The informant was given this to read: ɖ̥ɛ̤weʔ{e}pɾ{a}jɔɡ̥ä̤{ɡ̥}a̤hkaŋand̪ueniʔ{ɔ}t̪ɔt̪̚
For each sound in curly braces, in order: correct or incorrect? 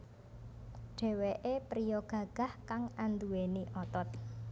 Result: correct, incorrect: i, correct, correct

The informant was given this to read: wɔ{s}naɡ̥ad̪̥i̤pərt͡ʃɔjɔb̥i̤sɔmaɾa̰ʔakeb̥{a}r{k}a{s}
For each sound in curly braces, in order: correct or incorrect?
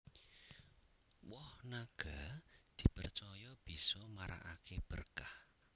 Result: incorrect: h, incorrect: ə, correct, incorrect: h

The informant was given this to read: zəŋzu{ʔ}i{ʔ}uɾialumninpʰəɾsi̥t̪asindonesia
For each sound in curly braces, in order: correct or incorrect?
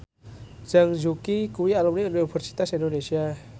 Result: incorrect: k, incorrect: k

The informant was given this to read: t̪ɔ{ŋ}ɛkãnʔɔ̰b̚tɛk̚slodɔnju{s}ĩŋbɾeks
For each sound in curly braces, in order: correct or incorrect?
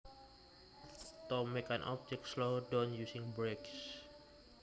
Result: incorrect: m, correct

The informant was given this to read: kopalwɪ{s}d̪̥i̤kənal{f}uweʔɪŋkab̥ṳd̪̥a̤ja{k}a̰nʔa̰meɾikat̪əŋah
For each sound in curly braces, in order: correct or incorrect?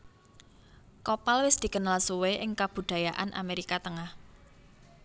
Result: correct, incorrect: s, incorrect: ʔ

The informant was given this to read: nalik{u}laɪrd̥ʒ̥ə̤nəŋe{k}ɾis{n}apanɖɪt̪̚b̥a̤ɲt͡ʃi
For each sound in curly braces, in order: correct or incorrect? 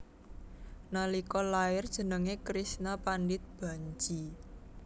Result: incorrect: ɔ, correct, correct

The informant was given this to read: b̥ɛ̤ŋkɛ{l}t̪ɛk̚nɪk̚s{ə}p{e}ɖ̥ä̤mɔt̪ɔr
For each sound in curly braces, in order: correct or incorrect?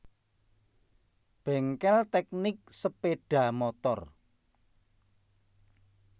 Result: correct, correct, correct

